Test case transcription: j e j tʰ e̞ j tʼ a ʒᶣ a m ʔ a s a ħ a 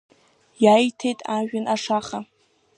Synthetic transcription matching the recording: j a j tʰ e̞ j tʼ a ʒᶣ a n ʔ a ʂ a χ a